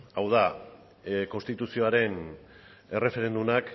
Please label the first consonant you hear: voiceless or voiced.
voiced